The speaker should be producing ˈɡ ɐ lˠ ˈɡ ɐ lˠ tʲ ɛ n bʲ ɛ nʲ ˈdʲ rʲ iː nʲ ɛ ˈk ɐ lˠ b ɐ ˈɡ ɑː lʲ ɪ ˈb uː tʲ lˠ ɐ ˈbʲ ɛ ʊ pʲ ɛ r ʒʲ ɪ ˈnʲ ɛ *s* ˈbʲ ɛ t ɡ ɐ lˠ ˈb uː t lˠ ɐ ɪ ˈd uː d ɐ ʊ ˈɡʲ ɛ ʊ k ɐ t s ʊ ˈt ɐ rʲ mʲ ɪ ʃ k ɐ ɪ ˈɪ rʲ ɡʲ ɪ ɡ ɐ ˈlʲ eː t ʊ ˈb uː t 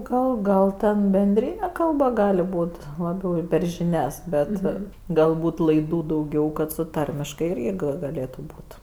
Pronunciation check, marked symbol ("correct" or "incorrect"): correct